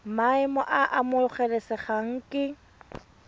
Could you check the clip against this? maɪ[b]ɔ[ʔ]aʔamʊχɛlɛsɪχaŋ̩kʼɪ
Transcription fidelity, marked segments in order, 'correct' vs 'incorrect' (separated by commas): incorrect, correct